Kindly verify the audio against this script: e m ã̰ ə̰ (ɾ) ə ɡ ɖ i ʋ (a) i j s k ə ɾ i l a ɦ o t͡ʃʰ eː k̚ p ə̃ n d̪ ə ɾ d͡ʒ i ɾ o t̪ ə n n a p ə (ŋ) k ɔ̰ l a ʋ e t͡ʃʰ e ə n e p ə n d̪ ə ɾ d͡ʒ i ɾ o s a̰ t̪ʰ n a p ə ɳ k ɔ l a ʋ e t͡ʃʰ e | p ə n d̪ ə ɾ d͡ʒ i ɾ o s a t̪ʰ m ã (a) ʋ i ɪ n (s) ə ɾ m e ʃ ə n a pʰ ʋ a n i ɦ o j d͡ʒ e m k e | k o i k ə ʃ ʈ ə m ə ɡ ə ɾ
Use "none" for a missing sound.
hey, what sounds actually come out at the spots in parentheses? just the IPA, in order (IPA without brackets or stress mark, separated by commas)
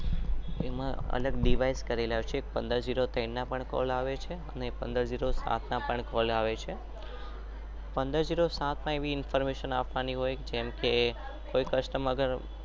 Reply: l, a, ɳ, e, f